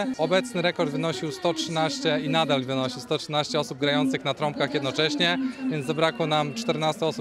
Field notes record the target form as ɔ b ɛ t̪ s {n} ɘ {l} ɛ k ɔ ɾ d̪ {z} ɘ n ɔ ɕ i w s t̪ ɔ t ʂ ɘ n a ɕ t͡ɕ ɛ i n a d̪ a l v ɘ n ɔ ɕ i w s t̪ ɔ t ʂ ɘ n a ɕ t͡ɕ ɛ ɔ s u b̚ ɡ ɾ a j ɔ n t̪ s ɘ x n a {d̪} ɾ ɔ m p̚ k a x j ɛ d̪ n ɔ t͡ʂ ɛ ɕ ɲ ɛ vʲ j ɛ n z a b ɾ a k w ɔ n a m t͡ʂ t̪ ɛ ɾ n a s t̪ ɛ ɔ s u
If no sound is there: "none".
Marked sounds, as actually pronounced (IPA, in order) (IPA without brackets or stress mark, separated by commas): n, ɾ, v, t̪